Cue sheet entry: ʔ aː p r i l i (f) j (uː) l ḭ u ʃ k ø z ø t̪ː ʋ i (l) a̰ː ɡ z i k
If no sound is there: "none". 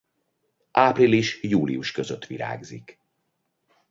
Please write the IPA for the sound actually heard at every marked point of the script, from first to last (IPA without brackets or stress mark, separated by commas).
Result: ʃ, uː, ɾ